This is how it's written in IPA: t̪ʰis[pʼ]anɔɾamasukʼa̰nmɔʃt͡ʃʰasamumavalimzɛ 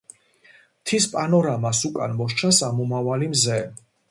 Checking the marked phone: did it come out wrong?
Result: no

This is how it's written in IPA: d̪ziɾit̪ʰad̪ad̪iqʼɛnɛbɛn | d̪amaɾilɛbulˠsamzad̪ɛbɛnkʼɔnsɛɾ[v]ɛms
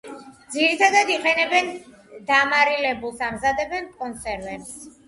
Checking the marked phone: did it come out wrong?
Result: no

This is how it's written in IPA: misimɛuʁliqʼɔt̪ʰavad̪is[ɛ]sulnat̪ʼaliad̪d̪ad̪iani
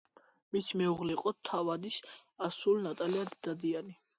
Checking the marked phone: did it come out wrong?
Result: yes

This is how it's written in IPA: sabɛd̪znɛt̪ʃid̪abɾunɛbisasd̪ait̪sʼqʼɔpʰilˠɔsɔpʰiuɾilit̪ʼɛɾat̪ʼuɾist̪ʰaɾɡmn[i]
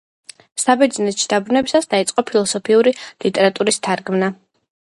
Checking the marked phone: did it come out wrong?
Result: yes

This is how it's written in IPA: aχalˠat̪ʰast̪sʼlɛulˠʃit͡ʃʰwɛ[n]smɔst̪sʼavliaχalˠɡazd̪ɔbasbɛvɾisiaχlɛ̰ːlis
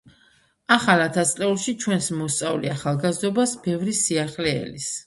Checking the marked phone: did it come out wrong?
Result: no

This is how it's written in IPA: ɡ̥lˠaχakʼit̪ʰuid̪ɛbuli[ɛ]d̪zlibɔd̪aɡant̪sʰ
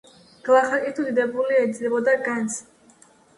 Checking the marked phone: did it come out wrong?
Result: no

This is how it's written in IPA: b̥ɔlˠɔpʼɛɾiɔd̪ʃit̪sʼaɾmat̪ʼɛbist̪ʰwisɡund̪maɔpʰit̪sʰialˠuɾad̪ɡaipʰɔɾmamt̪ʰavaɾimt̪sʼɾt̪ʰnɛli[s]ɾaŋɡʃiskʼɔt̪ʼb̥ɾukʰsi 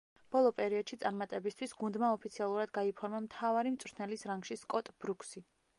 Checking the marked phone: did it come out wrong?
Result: no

